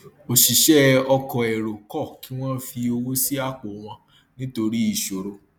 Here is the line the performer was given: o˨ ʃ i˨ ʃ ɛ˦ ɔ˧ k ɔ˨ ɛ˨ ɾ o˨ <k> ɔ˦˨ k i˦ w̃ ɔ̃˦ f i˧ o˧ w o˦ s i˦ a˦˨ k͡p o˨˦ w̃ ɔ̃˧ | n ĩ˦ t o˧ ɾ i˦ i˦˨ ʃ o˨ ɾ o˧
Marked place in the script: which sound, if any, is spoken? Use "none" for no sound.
k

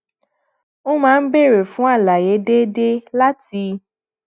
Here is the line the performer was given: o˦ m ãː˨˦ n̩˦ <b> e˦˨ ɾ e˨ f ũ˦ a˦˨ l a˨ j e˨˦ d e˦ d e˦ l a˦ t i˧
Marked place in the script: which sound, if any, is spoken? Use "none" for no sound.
b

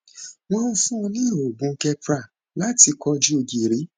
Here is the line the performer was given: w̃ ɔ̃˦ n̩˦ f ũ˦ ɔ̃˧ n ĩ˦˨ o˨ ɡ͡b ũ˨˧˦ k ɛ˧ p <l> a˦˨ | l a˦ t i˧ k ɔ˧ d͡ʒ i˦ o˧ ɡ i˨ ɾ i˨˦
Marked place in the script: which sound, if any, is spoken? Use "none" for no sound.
ɾ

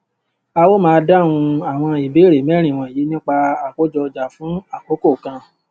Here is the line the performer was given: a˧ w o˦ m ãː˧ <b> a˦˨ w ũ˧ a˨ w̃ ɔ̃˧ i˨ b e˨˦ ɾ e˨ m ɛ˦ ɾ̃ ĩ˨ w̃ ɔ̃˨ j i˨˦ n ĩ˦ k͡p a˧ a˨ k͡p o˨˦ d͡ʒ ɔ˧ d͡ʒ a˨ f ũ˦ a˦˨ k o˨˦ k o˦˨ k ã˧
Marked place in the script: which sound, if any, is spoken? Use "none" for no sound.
d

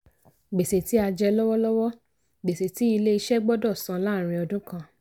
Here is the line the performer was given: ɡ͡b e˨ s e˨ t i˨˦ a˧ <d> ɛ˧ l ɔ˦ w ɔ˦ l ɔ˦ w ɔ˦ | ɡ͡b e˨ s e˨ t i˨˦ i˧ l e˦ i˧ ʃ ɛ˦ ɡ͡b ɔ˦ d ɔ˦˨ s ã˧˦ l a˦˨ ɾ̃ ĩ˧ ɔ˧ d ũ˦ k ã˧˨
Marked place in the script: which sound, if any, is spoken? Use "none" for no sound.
d͡ʒ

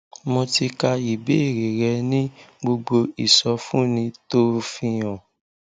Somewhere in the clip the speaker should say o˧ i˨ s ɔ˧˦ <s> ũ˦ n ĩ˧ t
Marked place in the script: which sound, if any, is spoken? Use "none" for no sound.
f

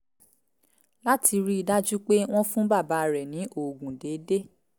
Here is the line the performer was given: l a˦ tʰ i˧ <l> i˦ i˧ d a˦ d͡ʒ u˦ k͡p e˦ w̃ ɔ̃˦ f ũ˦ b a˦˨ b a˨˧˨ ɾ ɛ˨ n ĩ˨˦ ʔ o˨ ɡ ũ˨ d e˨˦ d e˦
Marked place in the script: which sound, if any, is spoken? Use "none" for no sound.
ɾ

